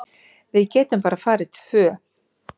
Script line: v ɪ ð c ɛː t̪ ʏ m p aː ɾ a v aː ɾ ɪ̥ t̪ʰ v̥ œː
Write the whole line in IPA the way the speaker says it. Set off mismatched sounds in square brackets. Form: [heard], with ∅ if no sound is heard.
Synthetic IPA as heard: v ɪ ð c ɛː t̪ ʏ m p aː ɾ a [f] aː ɾ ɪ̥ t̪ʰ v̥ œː